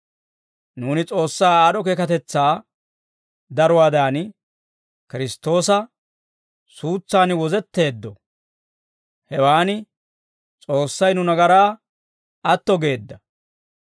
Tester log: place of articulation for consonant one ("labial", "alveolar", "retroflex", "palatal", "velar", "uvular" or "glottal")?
alveolar